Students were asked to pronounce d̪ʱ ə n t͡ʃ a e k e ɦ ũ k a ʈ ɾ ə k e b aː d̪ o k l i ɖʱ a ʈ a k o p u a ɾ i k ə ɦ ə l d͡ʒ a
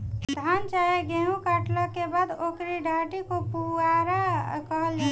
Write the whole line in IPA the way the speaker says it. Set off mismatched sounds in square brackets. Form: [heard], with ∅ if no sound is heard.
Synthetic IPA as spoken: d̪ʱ [a] n t͡ʃ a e [ɡ] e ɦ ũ k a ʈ [l] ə k e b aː d̪ o k [ɾ] i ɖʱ a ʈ [i] k o p u a ɾ [a] k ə ɦ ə l d͡ʒ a

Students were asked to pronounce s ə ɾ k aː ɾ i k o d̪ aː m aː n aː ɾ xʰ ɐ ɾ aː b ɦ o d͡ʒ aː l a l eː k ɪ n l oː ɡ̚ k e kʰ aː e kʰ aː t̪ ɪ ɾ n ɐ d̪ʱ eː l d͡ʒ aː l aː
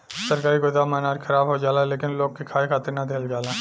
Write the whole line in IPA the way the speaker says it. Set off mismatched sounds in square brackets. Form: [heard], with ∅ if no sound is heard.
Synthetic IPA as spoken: s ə ɾ k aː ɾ i k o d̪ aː m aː n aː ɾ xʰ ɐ ɾ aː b ɦ o d͡ʒ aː l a l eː k ɪ n l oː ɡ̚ k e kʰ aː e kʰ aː t̪ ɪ ɾ n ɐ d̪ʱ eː l d͡ʒ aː l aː

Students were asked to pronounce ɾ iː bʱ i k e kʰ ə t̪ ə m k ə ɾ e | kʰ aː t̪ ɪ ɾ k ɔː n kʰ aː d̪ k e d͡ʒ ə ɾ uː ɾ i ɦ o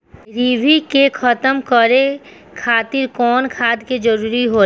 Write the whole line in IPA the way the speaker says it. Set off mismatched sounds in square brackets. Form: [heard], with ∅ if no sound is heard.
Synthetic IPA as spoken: ɾ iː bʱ i k e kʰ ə t̪ ə m k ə ɾ e | kʰ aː t̪ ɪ ɾ k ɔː n kʰ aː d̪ k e d͡ʒ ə ɾ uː ɾ i ɦ o

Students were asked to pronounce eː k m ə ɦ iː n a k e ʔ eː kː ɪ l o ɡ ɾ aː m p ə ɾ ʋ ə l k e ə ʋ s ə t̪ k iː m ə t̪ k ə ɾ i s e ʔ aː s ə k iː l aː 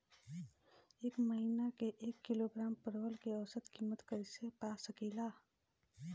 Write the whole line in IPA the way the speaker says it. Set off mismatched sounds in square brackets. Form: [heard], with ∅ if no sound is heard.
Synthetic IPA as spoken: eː k m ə ɦ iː n a k e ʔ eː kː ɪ l o ɡ ɾ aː m p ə ɾ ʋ ə l k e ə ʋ s ə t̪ k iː m ə t̪ k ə ɾ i s e [p] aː s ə k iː l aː

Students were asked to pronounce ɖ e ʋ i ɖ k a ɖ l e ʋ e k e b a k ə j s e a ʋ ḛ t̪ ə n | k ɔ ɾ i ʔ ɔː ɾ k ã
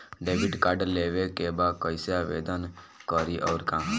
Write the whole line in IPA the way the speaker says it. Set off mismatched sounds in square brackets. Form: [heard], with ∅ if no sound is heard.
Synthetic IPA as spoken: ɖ e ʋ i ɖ k a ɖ l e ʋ e k e b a k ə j s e a ʋ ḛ [d̪] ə n | k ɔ ɾ i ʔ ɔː ɾ k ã

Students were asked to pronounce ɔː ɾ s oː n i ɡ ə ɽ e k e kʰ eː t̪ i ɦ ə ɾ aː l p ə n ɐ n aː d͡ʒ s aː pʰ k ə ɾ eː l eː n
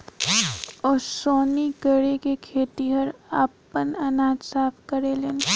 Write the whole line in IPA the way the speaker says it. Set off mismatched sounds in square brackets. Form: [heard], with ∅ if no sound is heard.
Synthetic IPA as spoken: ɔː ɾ s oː n i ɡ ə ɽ e k e kʰ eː t̪ i ɦ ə ɾ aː [∅] p ə n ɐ n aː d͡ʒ s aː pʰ k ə ɾ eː l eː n

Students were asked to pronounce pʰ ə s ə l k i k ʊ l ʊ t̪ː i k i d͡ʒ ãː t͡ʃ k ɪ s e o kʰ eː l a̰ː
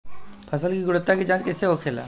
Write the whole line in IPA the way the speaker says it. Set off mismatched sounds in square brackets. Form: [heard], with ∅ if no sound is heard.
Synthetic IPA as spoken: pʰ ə s ə l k i [ɡ] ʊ [ɽ] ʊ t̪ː [a] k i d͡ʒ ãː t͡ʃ k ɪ s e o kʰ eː l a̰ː

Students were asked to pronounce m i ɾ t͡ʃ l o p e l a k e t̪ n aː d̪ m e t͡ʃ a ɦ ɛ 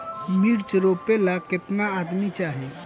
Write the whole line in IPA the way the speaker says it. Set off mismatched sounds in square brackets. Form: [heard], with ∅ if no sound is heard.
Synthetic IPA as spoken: m i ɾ t͡ʃ [ɾ] o p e l a k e t̪ n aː d̪ m [i] t͡ʃ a ɦ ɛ

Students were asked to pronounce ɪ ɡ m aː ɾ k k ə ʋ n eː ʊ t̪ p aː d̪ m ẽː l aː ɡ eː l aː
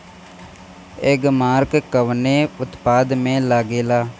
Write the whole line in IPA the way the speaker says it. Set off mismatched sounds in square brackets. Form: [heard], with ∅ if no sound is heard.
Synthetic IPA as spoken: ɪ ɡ m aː ɾ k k ə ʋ n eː ʊ t̪ p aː d̪ m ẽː l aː ɡ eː l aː

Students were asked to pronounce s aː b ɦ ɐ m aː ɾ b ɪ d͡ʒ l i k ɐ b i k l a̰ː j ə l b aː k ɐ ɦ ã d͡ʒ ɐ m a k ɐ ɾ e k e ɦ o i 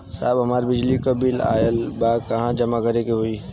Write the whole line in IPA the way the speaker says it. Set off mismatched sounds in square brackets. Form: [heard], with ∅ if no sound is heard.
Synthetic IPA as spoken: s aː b ɦ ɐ m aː ɾ b ɪ d͡ʒ l i k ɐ b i [∅] l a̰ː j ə l b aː k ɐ ɦ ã d͡ʒ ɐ m a k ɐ ɾ e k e ɦ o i

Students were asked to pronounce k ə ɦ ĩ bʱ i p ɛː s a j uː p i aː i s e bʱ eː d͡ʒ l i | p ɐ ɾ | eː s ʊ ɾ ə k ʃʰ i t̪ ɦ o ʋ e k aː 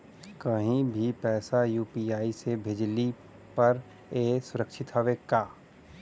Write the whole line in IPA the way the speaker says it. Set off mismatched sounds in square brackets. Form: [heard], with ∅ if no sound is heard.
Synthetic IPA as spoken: k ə ɦ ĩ bʱ i p ɛː s a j uː p i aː i s e bʱ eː d͡ʒ l i | p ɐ ɾ | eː s ʊ ɾ ə k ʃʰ [ɪ] t̪ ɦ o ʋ e k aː

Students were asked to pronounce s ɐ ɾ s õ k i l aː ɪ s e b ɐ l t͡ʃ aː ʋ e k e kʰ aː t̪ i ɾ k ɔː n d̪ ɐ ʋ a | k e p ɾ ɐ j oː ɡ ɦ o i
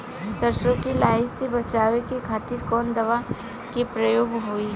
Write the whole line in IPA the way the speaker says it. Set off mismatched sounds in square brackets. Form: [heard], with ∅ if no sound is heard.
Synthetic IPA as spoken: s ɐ ɾ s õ k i l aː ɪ s e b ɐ [∅] t͡ʃ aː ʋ e k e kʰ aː t̪ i ɾ k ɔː n d̪ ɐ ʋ a | k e p ɾ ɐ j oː ɡ ɦ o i

